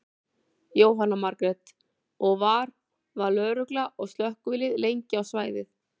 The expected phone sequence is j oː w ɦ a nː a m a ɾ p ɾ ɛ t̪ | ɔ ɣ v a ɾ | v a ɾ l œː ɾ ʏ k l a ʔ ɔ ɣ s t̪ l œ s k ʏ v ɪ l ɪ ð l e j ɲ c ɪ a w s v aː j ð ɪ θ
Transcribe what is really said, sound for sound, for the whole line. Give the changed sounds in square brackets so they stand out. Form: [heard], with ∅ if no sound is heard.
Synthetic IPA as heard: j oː w ɦ a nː a m a ɾ [k] ɾ ɛ t̪ | ɔ ɣ v a ɾ | v a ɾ l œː ɾ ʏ k l a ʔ ɔ ɣ s t̪ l œ [h] k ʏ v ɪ l ɪ ð l e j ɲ c ɪ a w s v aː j ð ɪ θ

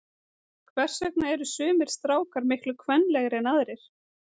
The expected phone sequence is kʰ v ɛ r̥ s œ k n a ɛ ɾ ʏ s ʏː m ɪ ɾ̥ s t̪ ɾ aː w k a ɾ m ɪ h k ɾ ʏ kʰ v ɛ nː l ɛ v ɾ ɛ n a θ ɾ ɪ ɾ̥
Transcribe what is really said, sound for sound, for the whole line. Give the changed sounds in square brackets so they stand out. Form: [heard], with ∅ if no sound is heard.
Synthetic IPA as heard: kʰ v ɛ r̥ s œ k n a ɛ ɾ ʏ s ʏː m ɪ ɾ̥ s t̪ ɾ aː w k a ɾ m ɪ h k [l] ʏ kʰ v ɛ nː l ɛ [ɣ] ɾ ɛ n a [ð] ɾ ɪ ɾ̥

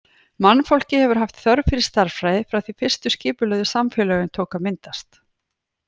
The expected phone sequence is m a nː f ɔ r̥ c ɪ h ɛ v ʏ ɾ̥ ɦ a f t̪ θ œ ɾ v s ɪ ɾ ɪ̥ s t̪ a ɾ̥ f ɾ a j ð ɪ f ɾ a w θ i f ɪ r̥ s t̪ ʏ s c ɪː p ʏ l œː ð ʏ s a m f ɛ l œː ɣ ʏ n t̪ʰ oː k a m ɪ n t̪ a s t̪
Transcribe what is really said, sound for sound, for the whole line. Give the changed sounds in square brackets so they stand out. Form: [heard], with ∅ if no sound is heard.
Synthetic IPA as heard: m a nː f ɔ [l̥] c ɪ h ɛ v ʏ ɾ̥ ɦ a f t̪ θ œ ɾ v [f] ɪ ɾ ɪ̥ s t̪ a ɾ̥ f ɾ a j ð ɪ f ɾ a w θ i f ɪ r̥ s t̪ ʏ s c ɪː p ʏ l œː ð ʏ s a m f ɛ l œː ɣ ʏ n t̪ʰ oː k a m ɪ n t̪ a s t̪

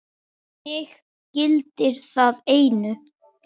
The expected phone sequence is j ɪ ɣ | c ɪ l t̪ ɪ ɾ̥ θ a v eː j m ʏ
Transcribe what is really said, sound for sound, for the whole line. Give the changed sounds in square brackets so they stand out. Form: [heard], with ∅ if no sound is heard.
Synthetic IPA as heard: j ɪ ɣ | c ɪ l t̪ ɪ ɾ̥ θ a [ð] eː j [n] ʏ

